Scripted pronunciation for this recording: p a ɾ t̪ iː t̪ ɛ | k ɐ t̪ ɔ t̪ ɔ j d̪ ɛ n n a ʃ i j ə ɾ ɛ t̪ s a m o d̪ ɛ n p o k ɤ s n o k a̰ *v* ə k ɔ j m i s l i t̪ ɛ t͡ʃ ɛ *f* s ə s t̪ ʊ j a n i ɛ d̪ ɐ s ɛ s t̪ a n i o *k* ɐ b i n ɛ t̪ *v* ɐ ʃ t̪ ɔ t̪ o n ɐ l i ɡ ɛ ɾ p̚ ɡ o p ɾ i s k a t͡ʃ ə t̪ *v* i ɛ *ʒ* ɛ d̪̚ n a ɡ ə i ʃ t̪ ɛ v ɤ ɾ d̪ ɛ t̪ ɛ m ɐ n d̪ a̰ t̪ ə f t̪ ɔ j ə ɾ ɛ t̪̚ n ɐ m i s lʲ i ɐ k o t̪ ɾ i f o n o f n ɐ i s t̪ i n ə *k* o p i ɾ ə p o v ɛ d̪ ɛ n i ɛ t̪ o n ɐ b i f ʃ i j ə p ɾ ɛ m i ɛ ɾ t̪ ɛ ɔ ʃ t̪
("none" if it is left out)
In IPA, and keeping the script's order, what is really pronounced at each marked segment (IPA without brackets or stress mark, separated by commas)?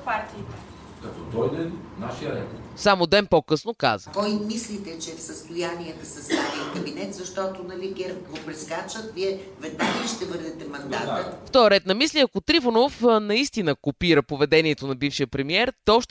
z, f, k, z, v, v, k